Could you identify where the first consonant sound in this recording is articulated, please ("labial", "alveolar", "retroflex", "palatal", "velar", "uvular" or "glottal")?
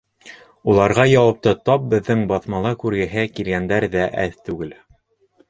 alveolar